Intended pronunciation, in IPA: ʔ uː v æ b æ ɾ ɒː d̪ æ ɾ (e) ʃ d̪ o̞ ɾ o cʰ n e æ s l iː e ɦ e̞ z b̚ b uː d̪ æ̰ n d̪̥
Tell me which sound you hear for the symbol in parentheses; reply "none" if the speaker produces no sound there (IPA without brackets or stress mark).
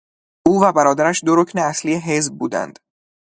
æ